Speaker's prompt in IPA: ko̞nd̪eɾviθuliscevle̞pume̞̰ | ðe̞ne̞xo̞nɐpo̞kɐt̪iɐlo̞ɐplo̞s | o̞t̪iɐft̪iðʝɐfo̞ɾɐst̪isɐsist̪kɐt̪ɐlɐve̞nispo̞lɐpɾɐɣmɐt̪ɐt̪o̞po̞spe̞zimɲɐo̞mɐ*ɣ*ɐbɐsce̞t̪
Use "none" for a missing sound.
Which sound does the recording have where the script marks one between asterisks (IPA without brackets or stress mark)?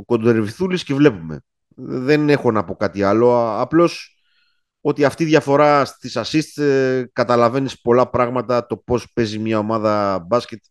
ð